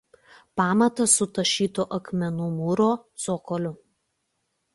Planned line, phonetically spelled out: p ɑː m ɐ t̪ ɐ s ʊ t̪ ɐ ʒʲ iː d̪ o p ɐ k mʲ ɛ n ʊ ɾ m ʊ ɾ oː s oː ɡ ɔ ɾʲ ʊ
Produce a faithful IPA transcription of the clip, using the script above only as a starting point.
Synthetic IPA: p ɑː m ɐ t̪ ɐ s ʊ t̪ ɐ ʃʲ iː t̪ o ʔ ɐ k mʲ ɛ n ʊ m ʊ ɾ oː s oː k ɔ lʲ ʊ